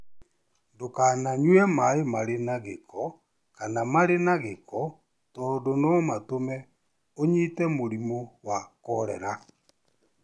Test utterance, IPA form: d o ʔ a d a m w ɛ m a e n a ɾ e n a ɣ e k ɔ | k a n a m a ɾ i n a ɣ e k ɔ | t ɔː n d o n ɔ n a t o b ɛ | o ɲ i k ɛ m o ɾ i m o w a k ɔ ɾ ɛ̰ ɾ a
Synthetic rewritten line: d o k a n a ɲ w ɛ m a e m a ɾ e n a ɣ e k ɔ | k a n a m a ɾ e n a ɣ e k ɔ | t ɔː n d o n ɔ m a t o m ɛ | o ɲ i t ɛ m o ɾ i m o w a k ɔ ɾ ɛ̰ ɾ a

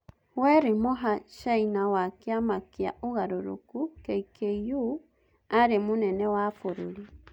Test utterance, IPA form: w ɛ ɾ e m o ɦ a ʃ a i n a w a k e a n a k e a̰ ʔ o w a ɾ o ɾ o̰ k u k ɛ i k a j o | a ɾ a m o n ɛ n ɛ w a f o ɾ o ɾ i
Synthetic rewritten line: w ɛ ɾ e m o ɦ a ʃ a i n a w a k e a m a k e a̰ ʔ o ɣ a ɾ o ɾ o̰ k u k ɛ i k e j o | a ɾ e m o n ɛ n ɛ w a f o ɾ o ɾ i

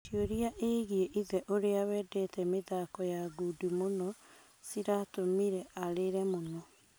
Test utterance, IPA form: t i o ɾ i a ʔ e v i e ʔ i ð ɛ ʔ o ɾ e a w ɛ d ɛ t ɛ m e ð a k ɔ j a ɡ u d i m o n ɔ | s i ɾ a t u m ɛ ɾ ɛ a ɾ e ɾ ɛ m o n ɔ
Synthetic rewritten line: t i o ɾ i a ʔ e ɣ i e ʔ i ð ɛ ʔ o ɾ e a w ɛ d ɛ t ɛ m e ð a k ɔ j a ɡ u d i m o n ɔ | s i ɾ a t o m i ɾ ɛ a ɾ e ɾ ɛ m o n ɔ

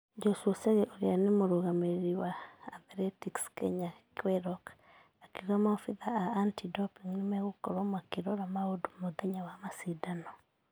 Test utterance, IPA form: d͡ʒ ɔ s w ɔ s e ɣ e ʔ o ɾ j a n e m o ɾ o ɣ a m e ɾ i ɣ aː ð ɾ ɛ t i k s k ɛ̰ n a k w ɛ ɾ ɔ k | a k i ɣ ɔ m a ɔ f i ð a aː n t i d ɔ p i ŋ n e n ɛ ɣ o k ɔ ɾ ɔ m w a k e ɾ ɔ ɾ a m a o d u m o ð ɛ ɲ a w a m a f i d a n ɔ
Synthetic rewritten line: d͡ʒ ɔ s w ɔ s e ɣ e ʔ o ɾ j a n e m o ɾ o ɣ a m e ɾ i w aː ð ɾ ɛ t i k s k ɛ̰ ɲ a k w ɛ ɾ ɔ k | a k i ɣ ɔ m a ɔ f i ð a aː n t i d ɔ p i ŋ n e m ɛ ɣ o k ɔ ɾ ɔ m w a k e ɾ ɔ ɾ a m a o d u m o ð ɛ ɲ a w a m a s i d a n ɔ

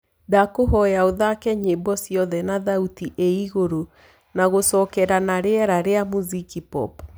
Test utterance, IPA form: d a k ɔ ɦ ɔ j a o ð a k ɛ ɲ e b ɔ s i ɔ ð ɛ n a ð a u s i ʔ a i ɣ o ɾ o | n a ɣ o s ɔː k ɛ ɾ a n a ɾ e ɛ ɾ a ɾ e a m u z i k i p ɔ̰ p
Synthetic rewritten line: d a k o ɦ ɔ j a o ð a k ɛ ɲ e b ɔ s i ɔ ð ɛ n a ð a u t i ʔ e i ɣ o ɾ o | n a ɣ o s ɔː k ɛ ɾ a n a ɾ e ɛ ɾ a ɾ e a m u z i k i p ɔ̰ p

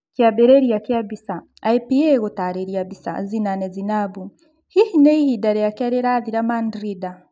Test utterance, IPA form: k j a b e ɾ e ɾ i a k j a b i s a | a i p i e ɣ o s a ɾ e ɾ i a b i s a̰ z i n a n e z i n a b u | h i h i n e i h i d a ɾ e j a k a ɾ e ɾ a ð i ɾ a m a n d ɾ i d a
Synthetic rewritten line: k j a b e ɾ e ɾ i a k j a b i s a | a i p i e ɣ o t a ɾ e ɾ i a b i s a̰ z i n a n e z i n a b u | h i h i n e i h i d a ɾ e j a k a ɾ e ɾ a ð i ɾ a m a n d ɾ i d a

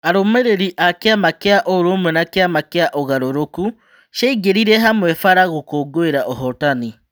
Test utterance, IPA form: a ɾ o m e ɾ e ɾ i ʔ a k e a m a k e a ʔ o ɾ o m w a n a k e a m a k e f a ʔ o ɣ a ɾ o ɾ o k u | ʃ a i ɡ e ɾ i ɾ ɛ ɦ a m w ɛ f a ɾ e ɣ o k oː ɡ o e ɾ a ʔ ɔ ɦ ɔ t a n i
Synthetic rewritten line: a ɾ o m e ɾ e ɾ i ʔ a k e a m a k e a ʔ o ɾ o m w ɛ n a k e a m a k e a ʔ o ɣ a ɾ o ɾ o k u | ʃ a i ɡ e ɾ i ɾ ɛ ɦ a m w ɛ f a ɾ a ɣ o k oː ɡ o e ɾ a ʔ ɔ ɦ ɔ t a n i

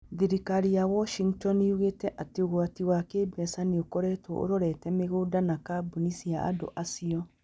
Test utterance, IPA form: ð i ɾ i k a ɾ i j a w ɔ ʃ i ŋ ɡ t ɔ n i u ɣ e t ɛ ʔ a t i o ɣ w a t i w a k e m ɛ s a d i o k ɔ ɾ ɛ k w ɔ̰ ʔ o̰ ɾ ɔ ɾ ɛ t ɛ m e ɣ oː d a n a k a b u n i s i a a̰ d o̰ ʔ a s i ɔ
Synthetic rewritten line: ð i ɾ i k a ɾ i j a w ɔ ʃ i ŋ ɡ t ɔ n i u ɣ e t ɛ ʔ a t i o ɣ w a t i w a k e b ɛ s a n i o k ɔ ɾ ɛ t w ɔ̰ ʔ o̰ ɾ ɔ ɾ ɛ t ɛ m e ɣ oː d a n a k a b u n i s i a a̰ d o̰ ʔ a s i ɔ

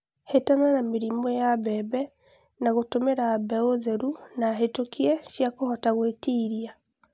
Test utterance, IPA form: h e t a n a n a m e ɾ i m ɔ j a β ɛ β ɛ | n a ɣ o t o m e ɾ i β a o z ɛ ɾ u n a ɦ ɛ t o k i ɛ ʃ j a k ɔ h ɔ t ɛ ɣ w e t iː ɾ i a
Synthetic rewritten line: h e t a n a n a m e ɾ i m ɔ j a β ɛ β ɛ | n a ɣ o t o m e ɾ a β ɛ o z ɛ ɾ u n a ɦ e t o k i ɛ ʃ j a k o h ɔ t a ɣ w e t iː ɾ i a

